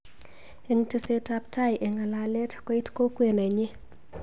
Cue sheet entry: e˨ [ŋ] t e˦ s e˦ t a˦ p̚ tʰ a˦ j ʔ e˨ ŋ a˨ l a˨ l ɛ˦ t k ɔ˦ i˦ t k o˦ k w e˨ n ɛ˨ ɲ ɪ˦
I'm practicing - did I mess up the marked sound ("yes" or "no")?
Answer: no